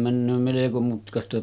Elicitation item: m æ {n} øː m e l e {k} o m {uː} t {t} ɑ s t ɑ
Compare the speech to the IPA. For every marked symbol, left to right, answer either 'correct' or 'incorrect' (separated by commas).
incorrect, correct, incorrect, incorrect